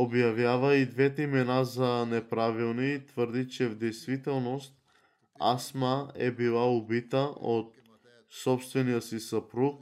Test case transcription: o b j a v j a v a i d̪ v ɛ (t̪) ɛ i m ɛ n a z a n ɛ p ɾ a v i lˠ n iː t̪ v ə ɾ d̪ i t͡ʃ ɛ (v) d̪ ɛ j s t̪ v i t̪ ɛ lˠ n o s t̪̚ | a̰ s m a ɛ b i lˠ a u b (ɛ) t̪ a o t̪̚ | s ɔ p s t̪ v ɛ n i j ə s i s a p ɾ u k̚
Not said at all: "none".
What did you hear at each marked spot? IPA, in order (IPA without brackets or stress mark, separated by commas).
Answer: t̪, v, i